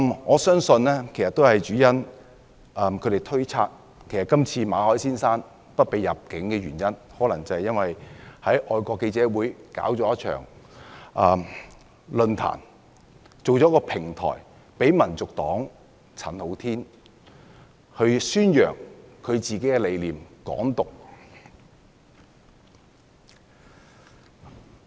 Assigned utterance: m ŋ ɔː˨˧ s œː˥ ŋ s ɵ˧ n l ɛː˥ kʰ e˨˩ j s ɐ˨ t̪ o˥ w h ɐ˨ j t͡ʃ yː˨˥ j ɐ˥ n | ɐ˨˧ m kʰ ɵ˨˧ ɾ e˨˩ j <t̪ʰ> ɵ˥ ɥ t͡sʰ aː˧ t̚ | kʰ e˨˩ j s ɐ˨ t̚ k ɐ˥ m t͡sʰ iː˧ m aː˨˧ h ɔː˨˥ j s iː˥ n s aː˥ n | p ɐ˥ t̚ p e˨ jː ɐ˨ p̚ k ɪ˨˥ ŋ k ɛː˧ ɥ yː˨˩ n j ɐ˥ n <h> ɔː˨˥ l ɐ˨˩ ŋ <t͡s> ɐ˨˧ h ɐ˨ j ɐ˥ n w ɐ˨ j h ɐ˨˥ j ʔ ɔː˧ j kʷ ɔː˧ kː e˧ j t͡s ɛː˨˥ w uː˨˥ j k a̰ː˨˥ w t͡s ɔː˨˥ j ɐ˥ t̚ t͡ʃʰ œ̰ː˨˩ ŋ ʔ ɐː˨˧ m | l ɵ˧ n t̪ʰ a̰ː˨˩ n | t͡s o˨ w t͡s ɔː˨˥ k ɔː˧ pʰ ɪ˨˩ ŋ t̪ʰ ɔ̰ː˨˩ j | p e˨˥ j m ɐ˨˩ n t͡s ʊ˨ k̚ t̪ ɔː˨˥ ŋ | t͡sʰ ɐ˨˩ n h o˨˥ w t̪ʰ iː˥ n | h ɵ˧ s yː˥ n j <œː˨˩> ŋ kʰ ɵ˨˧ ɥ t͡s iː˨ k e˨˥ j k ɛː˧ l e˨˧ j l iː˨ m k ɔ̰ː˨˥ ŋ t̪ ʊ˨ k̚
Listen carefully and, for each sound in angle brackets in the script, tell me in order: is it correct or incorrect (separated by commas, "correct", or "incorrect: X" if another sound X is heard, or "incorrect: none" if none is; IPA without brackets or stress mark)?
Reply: correct, correct, correct, correct